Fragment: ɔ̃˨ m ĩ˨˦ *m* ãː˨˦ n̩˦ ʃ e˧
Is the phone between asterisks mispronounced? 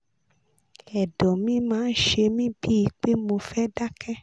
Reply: no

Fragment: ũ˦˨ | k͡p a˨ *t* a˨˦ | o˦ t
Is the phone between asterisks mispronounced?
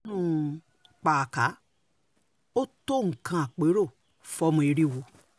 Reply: yes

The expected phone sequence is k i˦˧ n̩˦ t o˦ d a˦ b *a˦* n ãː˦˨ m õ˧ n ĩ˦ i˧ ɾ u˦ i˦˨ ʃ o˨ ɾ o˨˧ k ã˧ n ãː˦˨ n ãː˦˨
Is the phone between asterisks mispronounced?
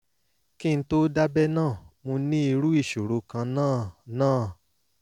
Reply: yes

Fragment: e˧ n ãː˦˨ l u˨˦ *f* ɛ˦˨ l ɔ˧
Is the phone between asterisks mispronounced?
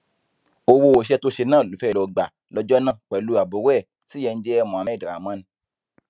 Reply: no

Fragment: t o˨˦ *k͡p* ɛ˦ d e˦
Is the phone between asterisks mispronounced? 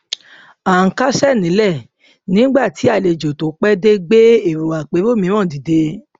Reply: no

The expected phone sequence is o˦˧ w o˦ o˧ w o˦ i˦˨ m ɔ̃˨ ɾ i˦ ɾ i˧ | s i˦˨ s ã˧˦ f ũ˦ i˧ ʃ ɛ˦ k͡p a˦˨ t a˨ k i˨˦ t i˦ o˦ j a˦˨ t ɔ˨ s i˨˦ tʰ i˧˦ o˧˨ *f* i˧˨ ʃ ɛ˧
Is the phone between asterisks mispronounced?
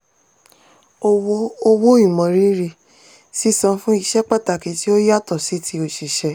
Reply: yes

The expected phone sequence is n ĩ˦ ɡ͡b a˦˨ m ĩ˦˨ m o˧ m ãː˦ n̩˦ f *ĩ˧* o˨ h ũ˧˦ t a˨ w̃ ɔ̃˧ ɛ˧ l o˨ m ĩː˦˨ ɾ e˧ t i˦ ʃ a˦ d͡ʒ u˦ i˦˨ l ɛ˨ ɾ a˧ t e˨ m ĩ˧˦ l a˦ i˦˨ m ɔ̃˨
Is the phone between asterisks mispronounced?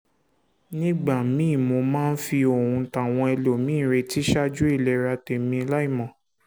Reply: yes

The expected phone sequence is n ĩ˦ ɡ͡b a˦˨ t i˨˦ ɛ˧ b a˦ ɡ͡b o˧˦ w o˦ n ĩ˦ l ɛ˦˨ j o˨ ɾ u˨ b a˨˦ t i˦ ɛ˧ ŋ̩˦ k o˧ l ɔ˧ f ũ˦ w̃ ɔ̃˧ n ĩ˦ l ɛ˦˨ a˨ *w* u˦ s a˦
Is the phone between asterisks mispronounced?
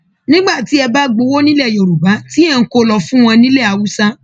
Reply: no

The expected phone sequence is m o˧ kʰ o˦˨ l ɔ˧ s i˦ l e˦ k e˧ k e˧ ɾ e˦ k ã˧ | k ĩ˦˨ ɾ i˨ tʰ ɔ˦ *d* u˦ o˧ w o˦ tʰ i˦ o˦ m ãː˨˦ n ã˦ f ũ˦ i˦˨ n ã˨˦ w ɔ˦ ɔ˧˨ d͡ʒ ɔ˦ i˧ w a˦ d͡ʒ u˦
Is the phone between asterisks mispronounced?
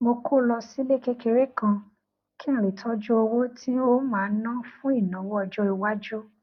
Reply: yes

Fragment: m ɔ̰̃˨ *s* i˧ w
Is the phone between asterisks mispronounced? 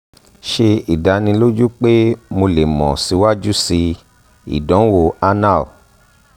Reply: no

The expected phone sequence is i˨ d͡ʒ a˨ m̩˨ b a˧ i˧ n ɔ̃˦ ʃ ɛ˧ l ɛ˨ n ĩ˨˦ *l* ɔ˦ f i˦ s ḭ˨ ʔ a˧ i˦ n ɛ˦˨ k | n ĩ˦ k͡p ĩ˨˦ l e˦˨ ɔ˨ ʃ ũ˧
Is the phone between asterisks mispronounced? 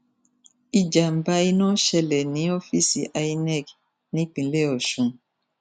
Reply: yes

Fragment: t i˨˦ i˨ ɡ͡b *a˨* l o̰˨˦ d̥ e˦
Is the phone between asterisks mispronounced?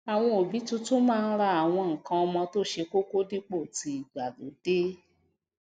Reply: no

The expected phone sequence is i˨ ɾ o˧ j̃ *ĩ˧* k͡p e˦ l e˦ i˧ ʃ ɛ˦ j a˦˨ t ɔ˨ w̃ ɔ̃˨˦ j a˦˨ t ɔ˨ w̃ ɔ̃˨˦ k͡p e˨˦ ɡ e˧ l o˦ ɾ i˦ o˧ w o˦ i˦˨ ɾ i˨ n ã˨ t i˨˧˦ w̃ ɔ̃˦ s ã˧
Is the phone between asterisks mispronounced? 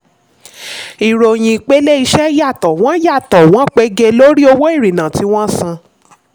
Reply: no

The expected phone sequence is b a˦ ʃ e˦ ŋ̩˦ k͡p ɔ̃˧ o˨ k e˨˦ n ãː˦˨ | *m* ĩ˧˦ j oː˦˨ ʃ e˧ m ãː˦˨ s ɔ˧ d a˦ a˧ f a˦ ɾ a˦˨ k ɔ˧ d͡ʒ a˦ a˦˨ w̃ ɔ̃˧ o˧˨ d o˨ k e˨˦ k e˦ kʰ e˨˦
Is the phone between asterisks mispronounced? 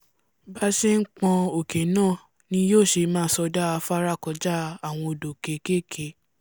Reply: yes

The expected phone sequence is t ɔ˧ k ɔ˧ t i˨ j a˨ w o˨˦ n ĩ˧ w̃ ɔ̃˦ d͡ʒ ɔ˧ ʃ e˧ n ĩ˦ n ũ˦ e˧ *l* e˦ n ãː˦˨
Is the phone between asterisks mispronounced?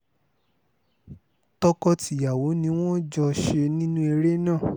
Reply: yes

